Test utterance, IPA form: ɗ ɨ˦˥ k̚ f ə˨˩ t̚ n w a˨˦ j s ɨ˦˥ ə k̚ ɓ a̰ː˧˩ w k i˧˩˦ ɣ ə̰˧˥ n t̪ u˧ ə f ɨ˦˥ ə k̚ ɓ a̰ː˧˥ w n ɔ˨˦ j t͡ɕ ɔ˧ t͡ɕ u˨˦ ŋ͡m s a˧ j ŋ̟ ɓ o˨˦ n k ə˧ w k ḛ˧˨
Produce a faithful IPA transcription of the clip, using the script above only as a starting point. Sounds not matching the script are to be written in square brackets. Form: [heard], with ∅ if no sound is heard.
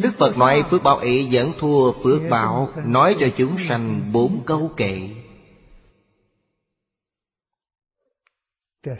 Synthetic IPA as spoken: ɗ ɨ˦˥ k̚ f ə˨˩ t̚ n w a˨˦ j [f] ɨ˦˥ ə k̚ ɓ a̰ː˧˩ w [ʔ] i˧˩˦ [z] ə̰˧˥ n [t̪ʰ] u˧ ə f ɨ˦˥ ə k̚ ɓ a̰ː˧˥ w n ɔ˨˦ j t͡ɕ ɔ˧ t͡ɕ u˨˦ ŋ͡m s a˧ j ŋ̟ ɓ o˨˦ n k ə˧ w k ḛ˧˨